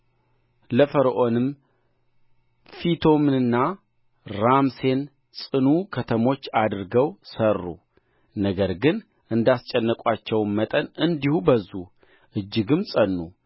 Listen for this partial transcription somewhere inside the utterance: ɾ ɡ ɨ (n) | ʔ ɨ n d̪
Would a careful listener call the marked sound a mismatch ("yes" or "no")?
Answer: no